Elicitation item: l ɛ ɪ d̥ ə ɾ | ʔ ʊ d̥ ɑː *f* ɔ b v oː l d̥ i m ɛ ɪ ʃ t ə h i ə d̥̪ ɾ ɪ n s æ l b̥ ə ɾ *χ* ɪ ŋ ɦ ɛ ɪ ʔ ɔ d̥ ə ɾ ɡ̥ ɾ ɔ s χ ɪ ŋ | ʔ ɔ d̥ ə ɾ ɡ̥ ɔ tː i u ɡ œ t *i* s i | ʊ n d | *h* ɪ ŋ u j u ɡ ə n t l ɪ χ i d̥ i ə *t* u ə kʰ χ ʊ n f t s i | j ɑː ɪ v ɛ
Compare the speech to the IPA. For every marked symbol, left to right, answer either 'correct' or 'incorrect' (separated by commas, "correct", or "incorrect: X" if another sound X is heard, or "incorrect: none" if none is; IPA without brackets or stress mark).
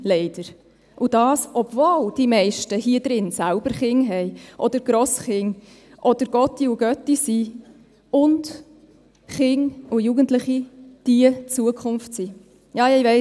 incorrect: s, correct, correct, incorrect: χ, incorrect: t͡s